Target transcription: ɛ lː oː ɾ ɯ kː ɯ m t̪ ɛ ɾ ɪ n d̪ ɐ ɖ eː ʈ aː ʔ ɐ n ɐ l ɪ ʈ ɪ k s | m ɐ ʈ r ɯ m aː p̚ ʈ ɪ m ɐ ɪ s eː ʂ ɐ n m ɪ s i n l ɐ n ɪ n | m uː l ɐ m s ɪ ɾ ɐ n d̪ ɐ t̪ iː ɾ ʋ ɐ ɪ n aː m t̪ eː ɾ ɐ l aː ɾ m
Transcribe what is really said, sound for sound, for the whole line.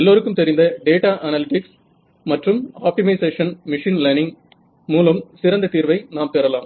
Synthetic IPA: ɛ lː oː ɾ ɯ kː ɯ m t̪ ɛ ɾ ɪ n d̪ ɐ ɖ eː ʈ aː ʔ ɐ n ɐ l ɪ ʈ ɪ k s | m ɐ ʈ r ɯ m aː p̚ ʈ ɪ m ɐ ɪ s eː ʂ ɐ n m ɪ ʂ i n l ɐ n ɪ ŋ | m uː l ɐ m s ɪ ɾ ɐ n d̪ ɐ t̪ iː ɾ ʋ ɐ ɪ n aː m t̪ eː ɾ ɐ l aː m